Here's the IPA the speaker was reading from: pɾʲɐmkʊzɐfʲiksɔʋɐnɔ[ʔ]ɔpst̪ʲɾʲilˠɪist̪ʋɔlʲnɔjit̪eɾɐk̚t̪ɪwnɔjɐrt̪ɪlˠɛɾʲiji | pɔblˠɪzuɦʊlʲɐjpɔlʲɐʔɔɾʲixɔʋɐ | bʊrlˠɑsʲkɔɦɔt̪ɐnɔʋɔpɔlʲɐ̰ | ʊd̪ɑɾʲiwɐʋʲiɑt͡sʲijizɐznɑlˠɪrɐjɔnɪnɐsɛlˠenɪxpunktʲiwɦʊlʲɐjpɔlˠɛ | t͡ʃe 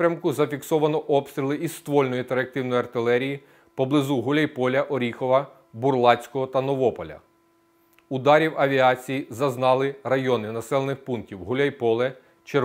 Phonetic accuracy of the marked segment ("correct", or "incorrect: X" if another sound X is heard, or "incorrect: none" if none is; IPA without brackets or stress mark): correct